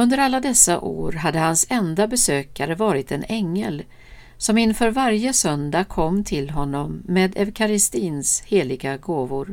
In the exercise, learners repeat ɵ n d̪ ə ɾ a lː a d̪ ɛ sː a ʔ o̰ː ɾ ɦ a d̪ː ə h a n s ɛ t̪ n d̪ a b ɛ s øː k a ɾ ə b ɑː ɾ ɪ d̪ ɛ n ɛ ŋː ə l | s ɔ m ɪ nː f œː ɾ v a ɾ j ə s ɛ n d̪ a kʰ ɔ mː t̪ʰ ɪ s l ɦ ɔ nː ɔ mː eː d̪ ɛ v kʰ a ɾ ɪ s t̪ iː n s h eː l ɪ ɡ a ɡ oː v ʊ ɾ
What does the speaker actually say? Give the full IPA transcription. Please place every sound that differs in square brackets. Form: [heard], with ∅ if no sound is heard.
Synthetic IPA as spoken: ɵ n d̪ ə ɾ a lː a d̪ ɛ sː a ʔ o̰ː ɾ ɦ a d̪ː ə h a n s ɛ [∅] n d̪ a b ɛ s øː k a ɾ ə [v] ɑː ɾ ɪ [t̪] ɛ n ɛ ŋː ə l | s ɔ m ɪ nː f œː ɾ v a ɾ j ə s [œ] n d̪ a kʰ ɔ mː t̪ʰ ɪ [∅] l ɦ ɔ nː ɔ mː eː d̪ ɛ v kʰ a ɾ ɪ s t̪ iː n s h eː l ɪ ɡ a ɡ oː v ʊ ɾ